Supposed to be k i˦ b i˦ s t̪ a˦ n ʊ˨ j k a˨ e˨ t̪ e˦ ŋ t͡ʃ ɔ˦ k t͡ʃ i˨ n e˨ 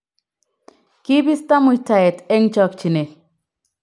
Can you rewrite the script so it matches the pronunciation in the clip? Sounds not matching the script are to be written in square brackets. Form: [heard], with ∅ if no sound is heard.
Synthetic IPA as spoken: k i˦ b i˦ s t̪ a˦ [m] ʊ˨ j [t] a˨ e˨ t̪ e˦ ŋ t͡ʃ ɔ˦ k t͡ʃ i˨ n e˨